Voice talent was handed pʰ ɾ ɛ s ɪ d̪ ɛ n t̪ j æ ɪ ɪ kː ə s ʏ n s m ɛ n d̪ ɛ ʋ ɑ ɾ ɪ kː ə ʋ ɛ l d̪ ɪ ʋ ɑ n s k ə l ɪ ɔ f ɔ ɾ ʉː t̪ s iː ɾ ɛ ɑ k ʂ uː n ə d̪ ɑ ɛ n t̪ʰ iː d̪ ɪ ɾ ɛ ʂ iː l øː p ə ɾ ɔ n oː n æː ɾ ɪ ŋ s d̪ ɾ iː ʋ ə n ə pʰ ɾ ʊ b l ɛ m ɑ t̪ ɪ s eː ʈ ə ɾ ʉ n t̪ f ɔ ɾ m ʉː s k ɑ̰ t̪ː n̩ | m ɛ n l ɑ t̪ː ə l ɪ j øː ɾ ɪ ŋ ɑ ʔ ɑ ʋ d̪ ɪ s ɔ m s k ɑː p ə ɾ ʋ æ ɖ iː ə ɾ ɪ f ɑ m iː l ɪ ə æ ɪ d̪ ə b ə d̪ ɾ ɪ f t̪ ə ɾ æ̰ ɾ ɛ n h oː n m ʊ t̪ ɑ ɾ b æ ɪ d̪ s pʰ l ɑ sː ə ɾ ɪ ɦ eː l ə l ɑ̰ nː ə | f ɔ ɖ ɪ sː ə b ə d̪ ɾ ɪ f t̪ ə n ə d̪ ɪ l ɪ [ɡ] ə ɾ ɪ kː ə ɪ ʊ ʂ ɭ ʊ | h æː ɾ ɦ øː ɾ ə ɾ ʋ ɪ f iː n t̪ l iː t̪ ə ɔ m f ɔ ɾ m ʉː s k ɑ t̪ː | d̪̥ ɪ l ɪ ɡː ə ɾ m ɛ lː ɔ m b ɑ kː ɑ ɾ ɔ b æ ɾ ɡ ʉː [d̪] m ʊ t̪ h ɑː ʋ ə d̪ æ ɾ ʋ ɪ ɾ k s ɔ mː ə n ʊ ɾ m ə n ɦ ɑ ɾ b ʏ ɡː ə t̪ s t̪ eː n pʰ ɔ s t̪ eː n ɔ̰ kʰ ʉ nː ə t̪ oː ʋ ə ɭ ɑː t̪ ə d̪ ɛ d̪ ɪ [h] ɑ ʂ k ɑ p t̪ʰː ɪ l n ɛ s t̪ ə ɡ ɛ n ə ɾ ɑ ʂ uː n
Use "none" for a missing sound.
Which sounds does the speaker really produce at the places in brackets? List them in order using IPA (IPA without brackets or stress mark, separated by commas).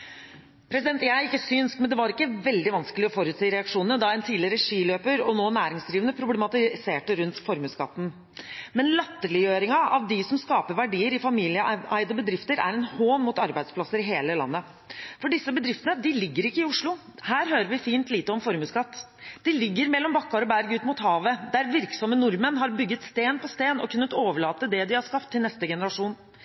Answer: ɡː, t̪, h